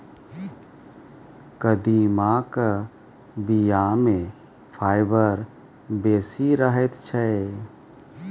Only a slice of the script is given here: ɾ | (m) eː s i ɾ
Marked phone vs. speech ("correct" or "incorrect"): incorrect